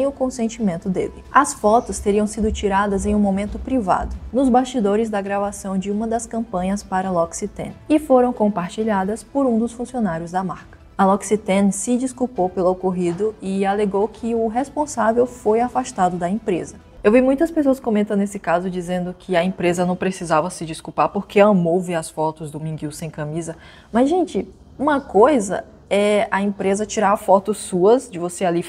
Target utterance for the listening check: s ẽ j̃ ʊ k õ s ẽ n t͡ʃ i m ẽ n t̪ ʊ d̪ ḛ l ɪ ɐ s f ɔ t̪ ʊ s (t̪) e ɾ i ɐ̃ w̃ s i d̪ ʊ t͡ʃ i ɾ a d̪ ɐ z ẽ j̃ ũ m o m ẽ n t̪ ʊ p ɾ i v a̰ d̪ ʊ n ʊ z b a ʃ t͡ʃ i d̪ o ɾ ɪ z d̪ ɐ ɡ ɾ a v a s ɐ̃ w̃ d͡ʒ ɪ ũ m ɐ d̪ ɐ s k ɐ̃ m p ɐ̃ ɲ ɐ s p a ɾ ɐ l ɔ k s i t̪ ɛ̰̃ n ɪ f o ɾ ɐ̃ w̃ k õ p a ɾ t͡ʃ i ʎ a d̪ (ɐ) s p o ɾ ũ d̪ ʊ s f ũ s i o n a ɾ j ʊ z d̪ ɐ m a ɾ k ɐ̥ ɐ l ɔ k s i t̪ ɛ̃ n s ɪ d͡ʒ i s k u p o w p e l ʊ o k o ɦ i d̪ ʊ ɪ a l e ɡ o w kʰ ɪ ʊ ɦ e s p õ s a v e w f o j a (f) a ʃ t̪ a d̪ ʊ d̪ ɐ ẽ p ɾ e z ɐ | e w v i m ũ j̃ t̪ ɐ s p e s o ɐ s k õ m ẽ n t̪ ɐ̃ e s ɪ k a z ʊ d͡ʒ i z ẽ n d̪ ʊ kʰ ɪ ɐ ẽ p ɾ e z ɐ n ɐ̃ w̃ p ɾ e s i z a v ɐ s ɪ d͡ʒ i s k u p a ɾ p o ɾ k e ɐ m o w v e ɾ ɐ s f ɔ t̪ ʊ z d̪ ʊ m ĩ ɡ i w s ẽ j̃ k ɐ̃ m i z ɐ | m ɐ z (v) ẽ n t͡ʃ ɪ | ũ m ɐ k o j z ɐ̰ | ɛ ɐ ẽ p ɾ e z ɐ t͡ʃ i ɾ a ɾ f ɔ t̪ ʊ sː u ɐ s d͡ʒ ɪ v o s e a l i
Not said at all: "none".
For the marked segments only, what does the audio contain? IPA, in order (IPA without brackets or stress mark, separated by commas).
t̪, ɐ, f, ʒ